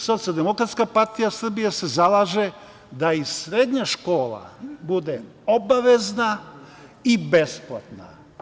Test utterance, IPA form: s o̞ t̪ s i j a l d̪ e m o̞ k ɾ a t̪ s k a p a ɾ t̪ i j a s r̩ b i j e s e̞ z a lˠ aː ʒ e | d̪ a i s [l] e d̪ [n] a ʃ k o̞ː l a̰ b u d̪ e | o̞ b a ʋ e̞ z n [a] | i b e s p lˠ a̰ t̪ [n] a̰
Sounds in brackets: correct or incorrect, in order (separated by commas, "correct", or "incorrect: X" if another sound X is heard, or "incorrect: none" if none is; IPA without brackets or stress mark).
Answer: incorrect: ɾ, incorrect: ɲ, correct, correct